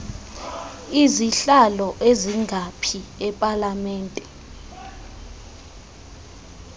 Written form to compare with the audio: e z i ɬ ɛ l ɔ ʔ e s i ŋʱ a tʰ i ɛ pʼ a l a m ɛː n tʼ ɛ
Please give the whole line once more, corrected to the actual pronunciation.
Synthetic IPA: i z i ɬ a l ɔ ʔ e z i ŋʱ a pʰ i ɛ pʼ a l a m ɛː n tʼ ɛ